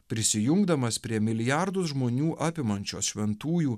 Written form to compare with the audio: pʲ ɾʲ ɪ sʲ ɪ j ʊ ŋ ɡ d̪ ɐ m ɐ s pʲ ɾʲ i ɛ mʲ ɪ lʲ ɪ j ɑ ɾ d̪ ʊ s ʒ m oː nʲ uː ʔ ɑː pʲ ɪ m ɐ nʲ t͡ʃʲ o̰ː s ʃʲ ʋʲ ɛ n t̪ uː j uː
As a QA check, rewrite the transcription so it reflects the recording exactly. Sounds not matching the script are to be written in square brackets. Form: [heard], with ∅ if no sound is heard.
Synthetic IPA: pʲ ɾʲ ɪ sʲ ɪ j ʊ ŋ ɡ d̪ ɐ m ɐ s pʲ ɾʲ i ɛ mʲ ɪ lʲ ɪ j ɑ ɾ d̪ ʊ s ʒ m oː nʲ uː ʔ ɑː pʲ ɪ m ɐ nʲ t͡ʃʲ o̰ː s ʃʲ ʋʲ ɛ n t̪ uː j uː